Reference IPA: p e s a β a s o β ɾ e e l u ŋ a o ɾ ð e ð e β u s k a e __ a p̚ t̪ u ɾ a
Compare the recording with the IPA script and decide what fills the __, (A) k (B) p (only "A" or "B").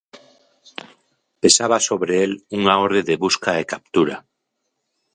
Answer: A